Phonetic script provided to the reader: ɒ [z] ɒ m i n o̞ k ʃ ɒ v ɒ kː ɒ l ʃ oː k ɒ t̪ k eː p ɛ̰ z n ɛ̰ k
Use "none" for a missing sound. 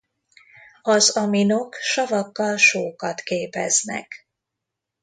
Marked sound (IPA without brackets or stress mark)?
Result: z